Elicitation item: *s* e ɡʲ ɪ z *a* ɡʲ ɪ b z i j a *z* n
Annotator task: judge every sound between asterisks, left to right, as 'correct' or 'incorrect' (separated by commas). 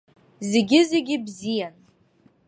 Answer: incorrect, incorrect, incorrect